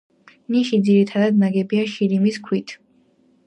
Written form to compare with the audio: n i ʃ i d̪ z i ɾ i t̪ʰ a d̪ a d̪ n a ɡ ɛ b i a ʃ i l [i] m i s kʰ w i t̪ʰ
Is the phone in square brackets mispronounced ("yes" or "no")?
no